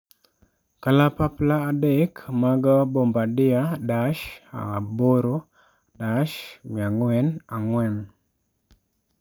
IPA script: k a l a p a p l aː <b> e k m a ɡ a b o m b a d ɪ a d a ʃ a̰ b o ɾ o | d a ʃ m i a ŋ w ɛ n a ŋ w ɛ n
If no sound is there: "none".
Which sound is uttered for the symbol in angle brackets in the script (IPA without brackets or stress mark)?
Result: d